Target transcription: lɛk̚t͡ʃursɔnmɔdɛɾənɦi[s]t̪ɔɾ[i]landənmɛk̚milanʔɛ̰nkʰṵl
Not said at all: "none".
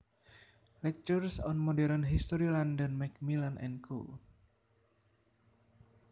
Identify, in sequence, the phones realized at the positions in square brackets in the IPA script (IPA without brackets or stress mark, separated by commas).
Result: s, i